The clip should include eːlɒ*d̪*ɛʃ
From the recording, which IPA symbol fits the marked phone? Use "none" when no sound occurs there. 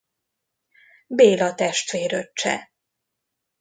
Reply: t̪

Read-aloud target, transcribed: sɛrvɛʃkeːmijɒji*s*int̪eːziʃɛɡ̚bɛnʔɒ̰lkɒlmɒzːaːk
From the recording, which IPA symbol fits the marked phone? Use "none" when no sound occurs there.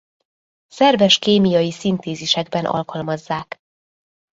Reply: s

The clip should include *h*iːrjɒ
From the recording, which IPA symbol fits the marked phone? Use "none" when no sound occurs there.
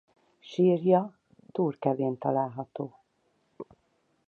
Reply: ʃ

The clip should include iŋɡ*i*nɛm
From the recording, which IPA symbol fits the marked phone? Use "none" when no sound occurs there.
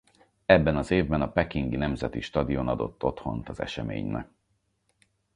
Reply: i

